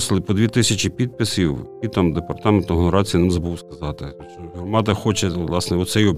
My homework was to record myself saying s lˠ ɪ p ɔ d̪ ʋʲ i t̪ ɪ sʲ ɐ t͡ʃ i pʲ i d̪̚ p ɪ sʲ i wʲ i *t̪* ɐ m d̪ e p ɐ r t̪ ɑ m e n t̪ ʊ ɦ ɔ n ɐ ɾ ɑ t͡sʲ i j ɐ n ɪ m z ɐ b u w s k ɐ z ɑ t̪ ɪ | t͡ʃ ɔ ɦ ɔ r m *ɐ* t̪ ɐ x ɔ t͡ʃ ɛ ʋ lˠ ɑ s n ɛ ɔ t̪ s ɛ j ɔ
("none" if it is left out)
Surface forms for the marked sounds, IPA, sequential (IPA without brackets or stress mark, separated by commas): t̪, ɑ